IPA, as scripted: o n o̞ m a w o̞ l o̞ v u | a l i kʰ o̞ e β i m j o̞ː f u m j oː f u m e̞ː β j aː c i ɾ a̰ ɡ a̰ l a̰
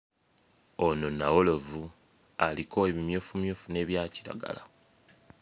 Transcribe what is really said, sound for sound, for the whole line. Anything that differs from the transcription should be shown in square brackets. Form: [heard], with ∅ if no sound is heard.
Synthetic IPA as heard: o n o̞ [n] a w o̞ l o̞ v u | a l i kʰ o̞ e β i m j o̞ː f u m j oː f u [n] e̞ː β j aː c i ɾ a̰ ɡ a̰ l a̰